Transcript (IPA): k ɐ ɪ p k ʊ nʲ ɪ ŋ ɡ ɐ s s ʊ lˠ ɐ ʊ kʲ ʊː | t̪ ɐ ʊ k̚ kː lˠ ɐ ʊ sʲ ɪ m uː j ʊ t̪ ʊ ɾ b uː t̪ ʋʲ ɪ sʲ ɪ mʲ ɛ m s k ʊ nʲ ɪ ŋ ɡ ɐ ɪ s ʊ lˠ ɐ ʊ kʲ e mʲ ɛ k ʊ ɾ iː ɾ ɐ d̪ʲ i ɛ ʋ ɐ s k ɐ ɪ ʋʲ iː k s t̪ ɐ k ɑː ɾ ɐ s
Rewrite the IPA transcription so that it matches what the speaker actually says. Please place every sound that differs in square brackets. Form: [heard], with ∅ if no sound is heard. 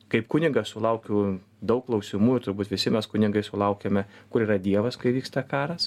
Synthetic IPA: k ɐ ɪ p k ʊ nʲ ɪ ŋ ɡ ɐ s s ʊ lˠ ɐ ʊ kʲ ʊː | [d̪] ɐ ʊ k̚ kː lˠ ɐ ʊ sʲ ɪ m uː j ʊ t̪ ʊ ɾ b uː t̪ ʋʲ ɪ sʲ ɪ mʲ ɛ [∅] s k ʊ nʲ ɪ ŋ ɡ ɐ ɪ s ʊ lˠ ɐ ʊ kʲ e mʲ ɛ k ʊ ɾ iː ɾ ɐ d̪ʲ i ɛ ʋ ɐ s k ɐ ɪ ʋʲ iː k s t̪ ɐ k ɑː ɾ ɐ s